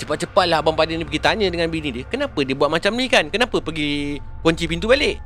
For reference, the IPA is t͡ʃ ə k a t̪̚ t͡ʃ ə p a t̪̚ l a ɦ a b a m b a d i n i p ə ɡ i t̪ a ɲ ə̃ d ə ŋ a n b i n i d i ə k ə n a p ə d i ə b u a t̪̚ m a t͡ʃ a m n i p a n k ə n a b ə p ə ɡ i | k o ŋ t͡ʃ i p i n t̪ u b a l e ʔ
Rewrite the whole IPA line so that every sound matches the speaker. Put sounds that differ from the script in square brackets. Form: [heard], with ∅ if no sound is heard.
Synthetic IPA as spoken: t͡ʃ ə [p] a t̪̚ t͡ʃ ə p a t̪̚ l a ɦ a b a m [p] a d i n i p ə ɡ i t̪ a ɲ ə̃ d ə ŋ a n b i n i d i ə k ə n a p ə d i ə b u a t̪̚ m a t͡ʃ a m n i [k] a n k ə n a [p] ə p ə ɡ i | k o [ɲ] t͡ʃ i p i n t̪ u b a l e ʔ